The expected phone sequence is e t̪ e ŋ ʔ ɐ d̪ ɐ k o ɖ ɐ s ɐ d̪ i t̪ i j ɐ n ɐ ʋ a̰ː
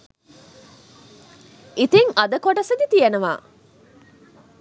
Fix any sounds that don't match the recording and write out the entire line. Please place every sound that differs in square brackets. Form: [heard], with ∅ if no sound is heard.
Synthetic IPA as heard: [i] t̪ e ŋ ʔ ɐ d̪ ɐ k o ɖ ɐ s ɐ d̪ i t̪ i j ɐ n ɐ ʋ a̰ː